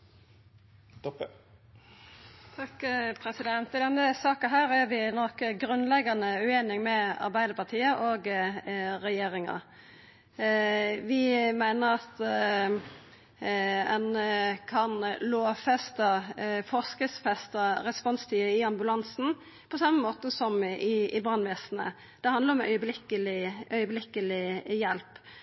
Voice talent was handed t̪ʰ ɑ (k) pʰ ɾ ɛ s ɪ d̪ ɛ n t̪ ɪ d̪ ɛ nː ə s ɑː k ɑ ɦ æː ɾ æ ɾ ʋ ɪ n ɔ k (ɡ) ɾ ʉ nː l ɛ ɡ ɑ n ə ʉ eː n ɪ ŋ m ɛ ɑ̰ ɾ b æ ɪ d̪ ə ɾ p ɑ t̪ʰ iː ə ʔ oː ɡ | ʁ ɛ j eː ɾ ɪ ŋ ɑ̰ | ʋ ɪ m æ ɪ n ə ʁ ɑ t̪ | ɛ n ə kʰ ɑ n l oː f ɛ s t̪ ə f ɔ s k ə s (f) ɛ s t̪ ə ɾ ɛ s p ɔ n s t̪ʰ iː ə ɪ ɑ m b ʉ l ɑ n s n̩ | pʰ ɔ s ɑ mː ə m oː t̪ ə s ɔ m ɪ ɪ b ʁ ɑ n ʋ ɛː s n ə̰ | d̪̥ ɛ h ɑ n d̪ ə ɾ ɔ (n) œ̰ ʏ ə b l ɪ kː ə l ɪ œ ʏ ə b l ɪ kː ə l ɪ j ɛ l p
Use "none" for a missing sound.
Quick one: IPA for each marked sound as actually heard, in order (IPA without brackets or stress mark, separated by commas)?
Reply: k, ɡ, f, m